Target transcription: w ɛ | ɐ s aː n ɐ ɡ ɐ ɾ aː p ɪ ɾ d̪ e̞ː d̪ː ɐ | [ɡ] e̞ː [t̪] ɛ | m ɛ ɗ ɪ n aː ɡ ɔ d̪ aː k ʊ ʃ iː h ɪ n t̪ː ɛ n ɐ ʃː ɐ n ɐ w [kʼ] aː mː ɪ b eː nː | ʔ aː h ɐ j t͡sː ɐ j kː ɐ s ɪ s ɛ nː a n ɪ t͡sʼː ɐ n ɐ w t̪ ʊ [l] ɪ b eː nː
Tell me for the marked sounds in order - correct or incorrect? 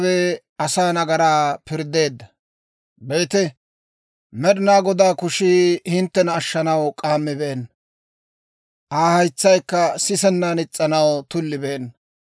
incorrect, correct, correct, incorrect

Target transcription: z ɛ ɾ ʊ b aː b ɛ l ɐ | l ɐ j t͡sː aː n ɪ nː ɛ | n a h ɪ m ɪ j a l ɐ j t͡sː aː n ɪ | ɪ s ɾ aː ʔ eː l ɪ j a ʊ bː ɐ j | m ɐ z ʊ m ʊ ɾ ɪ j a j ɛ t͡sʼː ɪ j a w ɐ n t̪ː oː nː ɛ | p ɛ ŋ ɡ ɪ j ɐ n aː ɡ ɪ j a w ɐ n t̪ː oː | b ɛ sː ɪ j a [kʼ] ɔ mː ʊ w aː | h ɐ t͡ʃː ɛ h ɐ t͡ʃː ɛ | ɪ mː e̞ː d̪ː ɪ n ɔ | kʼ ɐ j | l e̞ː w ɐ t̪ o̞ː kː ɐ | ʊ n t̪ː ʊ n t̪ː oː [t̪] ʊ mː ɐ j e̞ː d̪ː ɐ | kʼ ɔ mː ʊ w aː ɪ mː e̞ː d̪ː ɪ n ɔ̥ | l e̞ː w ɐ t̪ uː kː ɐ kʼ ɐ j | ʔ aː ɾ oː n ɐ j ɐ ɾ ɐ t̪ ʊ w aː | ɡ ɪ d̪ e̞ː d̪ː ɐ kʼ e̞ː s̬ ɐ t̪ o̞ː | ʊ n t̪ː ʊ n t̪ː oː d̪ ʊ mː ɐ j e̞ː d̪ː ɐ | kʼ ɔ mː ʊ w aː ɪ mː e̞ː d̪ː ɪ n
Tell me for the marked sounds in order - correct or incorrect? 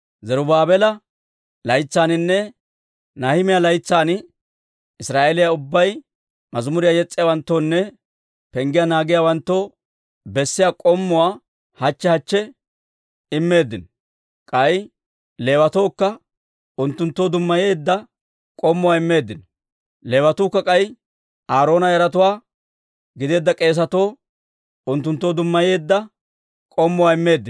correct, incorrect

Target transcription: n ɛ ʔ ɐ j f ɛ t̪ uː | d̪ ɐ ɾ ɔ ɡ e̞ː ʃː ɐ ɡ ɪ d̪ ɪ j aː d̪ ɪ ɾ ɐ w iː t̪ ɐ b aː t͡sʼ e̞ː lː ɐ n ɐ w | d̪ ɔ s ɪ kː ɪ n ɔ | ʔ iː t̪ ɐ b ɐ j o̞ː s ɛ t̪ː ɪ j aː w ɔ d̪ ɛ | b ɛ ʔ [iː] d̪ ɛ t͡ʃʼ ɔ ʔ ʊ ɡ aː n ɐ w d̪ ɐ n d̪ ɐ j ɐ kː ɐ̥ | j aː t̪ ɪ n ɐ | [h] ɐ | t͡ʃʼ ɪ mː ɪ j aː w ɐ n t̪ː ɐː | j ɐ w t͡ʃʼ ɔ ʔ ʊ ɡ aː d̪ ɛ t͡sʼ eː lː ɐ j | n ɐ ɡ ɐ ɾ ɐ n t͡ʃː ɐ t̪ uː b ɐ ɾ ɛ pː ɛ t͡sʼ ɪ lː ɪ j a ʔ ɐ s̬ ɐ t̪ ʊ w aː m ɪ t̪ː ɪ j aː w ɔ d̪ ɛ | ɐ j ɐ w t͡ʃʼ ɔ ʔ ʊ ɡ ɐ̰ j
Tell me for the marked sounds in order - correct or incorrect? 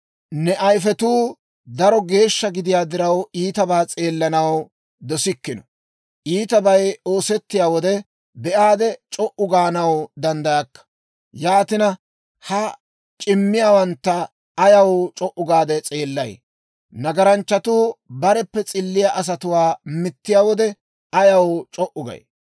incorrect, correct

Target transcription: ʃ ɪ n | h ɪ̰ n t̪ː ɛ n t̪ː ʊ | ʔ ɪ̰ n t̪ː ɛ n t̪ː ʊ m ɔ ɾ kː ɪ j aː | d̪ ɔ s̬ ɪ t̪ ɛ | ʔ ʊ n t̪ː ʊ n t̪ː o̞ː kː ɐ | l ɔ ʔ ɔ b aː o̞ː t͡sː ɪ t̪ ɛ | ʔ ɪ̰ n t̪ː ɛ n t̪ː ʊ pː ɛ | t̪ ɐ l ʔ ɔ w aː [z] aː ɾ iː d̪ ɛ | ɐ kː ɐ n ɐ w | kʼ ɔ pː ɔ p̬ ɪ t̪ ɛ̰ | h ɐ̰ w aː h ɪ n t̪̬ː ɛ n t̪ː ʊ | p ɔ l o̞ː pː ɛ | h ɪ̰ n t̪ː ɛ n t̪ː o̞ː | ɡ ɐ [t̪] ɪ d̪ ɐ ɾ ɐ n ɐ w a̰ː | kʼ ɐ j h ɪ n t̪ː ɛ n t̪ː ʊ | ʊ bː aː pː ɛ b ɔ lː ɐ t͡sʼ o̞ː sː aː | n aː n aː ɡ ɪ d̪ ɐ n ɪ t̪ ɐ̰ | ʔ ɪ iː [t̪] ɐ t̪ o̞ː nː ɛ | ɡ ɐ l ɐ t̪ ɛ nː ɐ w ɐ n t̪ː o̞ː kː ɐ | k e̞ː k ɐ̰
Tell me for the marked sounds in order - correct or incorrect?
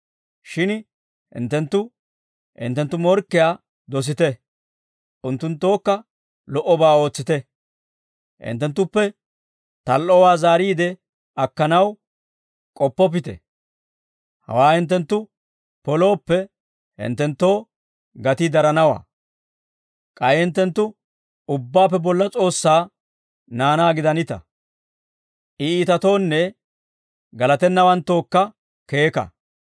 correct, correct, correct

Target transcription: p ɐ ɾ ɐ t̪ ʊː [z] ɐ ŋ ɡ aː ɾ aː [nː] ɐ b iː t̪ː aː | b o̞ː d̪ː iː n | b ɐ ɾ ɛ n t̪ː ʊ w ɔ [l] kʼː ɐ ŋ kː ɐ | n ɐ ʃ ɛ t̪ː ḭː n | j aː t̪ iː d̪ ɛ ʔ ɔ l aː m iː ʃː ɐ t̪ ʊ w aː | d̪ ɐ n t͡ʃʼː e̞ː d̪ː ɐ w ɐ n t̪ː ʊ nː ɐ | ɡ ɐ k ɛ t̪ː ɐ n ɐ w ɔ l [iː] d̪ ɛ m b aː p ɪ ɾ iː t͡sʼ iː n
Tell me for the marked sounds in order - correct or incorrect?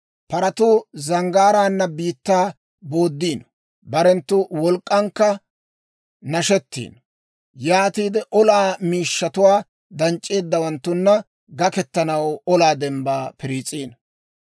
correct, correct, correct, incorrect

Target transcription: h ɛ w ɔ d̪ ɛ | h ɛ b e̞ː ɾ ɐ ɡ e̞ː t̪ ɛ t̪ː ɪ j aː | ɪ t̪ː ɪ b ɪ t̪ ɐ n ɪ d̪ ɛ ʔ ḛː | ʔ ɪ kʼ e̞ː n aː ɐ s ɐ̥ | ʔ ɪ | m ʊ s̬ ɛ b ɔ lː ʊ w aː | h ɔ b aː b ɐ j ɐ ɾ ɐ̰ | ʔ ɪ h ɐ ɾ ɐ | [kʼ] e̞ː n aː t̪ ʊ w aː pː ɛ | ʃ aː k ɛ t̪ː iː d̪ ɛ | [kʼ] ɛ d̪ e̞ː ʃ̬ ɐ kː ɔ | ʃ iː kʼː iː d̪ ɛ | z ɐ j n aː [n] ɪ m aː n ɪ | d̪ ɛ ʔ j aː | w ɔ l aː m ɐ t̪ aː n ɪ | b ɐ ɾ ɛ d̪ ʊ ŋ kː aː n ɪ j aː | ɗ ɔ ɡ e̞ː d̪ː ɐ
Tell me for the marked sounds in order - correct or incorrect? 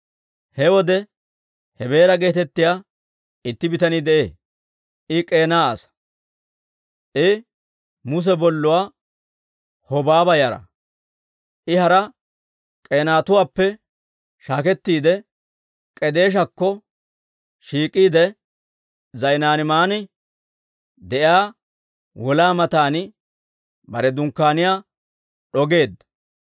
correct, correct, correct

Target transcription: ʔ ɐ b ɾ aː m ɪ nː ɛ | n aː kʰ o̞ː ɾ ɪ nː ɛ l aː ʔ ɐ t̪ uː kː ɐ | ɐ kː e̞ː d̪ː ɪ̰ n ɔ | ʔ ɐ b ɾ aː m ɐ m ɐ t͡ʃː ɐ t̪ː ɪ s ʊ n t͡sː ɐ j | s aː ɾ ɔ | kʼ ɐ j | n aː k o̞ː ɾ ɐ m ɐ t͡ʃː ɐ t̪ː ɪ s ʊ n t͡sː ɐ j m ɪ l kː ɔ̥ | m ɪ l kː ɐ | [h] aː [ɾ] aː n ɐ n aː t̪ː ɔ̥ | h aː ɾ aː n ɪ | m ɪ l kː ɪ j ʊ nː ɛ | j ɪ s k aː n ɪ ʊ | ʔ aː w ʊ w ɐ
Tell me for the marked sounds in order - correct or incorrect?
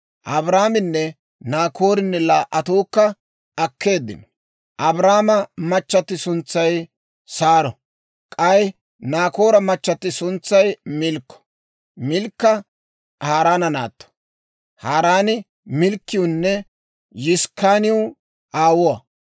correct, correct

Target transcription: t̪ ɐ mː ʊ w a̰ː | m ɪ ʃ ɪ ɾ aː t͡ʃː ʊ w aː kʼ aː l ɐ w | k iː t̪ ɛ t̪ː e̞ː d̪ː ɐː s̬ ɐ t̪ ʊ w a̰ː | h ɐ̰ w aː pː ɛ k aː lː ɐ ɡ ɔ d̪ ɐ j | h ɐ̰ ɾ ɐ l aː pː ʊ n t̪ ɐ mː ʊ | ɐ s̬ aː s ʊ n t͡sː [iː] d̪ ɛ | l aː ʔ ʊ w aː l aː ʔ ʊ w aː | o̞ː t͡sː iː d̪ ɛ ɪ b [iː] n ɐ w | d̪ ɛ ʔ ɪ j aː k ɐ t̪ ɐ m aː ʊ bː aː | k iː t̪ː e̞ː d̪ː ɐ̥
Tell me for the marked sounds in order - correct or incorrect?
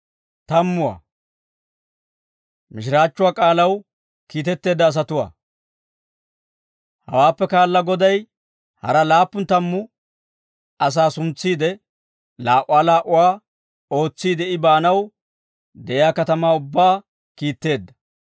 correct, incorrect

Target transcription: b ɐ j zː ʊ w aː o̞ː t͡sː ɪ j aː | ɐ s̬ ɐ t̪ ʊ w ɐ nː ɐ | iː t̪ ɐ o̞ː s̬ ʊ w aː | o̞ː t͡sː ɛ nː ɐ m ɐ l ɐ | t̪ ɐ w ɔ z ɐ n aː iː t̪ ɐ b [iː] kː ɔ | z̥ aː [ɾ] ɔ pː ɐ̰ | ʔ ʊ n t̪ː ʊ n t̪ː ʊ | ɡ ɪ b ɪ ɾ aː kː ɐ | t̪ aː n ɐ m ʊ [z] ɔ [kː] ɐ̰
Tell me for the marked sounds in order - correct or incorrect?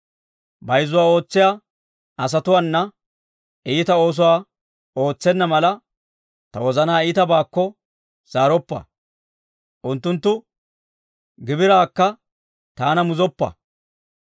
incorrect, correct, correct, incorrect

